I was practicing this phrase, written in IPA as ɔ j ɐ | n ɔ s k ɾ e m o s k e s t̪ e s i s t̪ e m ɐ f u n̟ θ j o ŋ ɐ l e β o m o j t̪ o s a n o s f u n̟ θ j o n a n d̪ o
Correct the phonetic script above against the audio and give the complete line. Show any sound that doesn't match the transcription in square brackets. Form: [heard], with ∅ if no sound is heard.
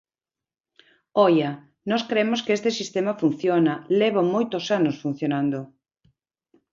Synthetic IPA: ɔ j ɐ | n ɔ s k ɾ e m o s k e s t̪ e s i s t̪ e m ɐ f u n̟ θ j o [n] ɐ l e β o m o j t̪ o s a n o s f u n̟ θ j o n a n d̪ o